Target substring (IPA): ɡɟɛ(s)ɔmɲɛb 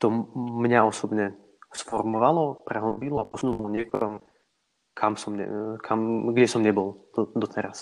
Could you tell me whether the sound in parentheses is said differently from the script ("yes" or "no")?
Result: no